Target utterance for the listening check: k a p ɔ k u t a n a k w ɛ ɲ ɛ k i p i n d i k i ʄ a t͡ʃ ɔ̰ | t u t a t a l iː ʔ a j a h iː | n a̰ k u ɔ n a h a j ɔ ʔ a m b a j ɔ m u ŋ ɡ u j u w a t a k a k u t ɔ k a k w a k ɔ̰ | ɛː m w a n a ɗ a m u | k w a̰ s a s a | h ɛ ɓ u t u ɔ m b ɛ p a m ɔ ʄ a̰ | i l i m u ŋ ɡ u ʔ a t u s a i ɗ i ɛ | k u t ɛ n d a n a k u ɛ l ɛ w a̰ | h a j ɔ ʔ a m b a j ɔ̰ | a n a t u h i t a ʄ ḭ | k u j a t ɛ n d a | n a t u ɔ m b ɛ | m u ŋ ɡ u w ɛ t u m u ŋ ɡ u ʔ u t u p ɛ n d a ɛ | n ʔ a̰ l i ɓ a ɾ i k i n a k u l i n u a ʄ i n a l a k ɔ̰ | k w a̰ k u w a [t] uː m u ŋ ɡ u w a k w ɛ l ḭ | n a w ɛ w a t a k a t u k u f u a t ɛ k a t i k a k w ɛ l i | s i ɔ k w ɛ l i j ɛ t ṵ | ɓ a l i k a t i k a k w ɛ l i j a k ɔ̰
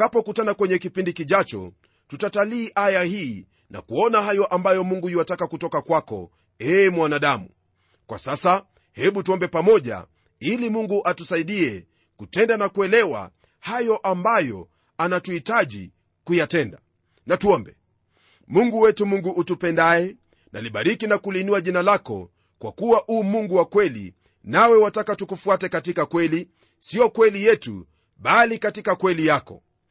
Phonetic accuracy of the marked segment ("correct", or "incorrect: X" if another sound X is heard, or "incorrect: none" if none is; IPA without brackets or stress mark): incorrect: ʔ